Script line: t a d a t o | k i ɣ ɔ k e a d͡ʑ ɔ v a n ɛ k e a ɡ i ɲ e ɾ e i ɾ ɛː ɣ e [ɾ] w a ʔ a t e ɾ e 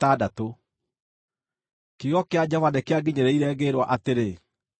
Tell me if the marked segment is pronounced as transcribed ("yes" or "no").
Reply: yes